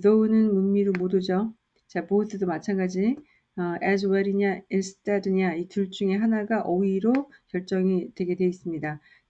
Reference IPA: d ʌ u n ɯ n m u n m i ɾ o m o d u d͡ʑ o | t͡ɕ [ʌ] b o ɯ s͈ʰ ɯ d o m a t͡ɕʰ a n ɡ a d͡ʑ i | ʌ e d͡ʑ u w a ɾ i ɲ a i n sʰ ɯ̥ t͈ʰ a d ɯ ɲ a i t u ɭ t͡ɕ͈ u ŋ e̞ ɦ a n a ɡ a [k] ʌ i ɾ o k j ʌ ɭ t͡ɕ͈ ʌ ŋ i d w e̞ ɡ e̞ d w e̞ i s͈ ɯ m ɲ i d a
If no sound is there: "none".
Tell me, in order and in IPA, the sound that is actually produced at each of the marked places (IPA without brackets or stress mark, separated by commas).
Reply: a, ʔ